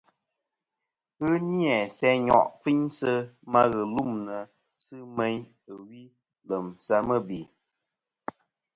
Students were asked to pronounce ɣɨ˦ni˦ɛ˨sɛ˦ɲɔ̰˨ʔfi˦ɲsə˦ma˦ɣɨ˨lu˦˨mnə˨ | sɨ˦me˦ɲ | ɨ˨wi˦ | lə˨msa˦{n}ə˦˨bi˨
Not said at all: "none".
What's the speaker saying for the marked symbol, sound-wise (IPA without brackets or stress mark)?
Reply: m